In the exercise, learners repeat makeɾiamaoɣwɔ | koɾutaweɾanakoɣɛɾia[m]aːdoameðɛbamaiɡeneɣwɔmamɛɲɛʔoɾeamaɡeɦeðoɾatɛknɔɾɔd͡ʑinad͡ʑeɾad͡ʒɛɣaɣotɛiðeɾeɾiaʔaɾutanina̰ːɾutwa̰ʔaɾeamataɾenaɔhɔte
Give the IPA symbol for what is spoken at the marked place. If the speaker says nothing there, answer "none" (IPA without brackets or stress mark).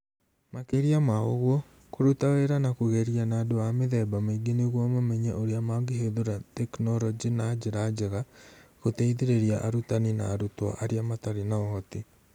n